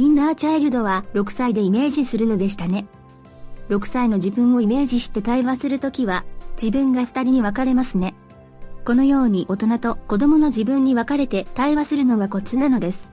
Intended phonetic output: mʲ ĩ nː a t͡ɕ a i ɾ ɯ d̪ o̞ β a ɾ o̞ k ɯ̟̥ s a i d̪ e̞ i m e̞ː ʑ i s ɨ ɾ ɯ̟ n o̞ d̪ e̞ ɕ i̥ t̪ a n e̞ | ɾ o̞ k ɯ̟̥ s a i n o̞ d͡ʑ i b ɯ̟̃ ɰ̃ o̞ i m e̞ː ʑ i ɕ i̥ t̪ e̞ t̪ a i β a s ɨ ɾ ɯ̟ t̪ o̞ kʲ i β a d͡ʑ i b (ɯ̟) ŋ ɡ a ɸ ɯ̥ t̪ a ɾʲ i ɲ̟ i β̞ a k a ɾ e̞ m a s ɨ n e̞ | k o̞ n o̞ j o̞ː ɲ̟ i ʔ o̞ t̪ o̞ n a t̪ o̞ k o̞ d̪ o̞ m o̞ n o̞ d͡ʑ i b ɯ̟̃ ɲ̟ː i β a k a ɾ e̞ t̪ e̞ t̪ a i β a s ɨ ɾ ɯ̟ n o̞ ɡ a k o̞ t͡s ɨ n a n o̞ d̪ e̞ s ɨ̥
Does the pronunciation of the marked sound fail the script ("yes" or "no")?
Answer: yes